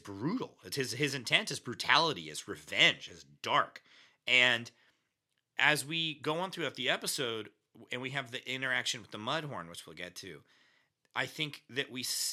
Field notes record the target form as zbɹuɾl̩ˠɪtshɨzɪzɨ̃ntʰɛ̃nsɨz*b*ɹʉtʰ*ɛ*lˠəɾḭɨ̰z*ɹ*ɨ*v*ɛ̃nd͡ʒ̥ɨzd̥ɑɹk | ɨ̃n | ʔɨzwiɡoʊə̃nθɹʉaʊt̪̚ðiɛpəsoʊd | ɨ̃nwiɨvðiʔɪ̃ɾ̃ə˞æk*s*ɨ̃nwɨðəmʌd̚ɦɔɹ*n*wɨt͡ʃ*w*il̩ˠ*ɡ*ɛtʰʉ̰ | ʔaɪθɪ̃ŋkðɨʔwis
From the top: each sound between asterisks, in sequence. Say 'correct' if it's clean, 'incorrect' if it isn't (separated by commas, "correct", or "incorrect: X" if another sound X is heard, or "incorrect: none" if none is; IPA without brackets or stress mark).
correct, incorrect: æ, correct, correct, incorrect: ʃ, correct, correct, correct